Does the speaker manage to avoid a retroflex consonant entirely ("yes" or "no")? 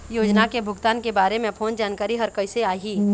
yes